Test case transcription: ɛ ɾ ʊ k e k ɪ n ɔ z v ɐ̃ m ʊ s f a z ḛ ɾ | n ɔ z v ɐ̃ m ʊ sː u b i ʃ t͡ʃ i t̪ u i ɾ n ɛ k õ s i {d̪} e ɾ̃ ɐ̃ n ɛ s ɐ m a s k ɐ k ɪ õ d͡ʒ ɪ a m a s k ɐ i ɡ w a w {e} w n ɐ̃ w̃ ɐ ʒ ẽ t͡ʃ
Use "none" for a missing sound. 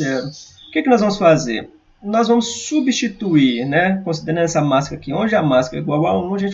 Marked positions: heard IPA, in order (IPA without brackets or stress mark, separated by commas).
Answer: d̪, a